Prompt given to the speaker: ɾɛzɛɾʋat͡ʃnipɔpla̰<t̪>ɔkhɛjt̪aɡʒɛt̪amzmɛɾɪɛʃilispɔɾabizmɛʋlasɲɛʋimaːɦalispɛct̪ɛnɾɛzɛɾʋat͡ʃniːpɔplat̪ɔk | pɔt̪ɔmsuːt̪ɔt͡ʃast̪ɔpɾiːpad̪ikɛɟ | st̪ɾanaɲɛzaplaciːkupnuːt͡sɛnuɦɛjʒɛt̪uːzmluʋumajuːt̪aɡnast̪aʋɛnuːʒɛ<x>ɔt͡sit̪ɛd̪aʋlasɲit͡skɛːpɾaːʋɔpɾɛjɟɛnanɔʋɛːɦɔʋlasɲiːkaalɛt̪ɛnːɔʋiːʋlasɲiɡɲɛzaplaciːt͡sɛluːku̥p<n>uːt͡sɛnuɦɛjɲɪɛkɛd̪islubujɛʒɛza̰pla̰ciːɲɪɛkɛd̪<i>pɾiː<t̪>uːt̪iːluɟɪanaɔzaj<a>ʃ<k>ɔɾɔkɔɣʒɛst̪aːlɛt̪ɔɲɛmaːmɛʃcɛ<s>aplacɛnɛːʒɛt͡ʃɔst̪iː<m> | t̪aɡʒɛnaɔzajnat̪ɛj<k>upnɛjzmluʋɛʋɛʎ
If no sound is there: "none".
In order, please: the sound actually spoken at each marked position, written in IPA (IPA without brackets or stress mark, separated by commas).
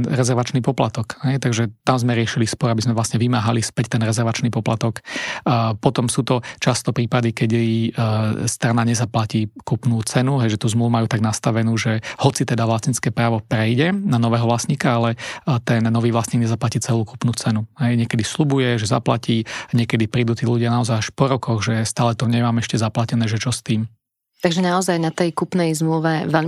t̪, h, n, i, d̪, a, p, z, m, k